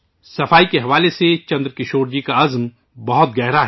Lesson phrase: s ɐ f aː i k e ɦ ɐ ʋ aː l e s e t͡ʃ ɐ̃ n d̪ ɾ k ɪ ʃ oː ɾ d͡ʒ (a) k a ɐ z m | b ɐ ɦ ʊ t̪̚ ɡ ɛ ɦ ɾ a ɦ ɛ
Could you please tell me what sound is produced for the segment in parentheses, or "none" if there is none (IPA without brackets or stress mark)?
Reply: i